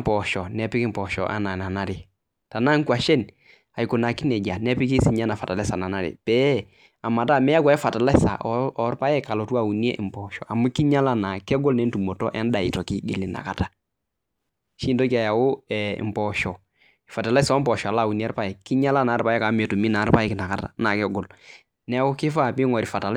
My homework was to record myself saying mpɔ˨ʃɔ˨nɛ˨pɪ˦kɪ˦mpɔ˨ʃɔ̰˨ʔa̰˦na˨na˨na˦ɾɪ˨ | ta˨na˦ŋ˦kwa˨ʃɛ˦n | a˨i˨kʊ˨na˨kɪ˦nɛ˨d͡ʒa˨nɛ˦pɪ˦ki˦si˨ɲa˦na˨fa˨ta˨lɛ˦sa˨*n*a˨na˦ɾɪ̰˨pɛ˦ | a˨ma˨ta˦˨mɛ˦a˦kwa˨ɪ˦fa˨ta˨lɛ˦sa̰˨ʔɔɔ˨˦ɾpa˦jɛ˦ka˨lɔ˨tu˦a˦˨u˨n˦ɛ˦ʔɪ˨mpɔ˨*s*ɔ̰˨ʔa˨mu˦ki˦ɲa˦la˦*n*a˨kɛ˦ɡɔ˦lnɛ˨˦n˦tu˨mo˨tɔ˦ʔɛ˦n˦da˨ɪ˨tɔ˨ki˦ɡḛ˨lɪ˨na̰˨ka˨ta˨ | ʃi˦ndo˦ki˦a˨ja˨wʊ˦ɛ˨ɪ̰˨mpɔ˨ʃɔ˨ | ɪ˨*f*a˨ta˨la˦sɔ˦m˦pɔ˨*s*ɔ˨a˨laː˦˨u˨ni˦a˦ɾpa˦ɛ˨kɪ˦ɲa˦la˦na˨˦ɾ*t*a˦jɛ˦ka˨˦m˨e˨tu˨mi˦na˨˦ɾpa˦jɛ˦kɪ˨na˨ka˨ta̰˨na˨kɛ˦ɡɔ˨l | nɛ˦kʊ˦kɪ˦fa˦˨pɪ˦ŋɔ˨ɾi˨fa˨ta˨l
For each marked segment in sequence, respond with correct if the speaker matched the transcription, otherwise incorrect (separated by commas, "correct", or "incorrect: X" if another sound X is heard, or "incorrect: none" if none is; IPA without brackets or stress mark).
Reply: correct, incorrect: ʃ, correct, correct, incorrect: ʃ, incorrect: p